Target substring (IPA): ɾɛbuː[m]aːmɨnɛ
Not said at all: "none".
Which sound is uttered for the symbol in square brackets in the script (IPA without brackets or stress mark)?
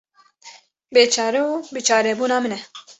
n